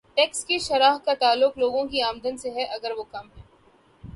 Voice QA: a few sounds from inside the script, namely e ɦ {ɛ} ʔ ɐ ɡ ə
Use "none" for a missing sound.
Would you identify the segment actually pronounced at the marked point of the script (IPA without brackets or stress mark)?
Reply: ɛ